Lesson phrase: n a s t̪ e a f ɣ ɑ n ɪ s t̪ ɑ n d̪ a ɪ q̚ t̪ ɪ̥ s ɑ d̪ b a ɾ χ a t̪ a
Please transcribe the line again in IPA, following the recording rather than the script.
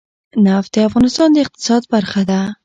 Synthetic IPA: n a f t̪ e a f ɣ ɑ n ɪ s t̪ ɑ n d̪ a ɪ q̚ t̪ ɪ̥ s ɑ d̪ b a ɾ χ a d̪ a